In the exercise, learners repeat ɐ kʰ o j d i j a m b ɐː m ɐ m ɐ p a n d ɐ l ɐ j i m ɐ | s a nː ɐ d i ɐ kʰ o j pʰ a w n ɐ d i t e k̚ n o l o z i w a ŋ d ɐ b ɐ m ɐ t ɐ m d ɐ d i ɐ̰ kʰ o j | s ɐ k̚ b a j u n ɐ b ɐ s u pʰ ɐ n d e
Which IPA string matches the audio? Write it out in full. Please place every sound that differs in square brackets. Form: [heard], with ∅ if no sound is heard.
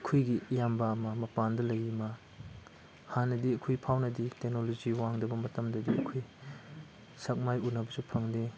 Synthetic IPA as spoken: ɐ kʰ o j [ɡ] i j a m b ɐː m ɐ m ɐ p a n d ɐ l ɐ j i m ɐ | [h] a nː ɐ d i ɐ kʰ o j pʰ a w n ɐ d i t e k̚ n o l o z i w a ŋ d ɐ b ɐ m ɐ t ɐ m d ɐ d i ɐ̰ kʰ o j | s ɐ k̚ [m] a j u n ɐ b ɐ s u pʰ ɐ [ŋ] d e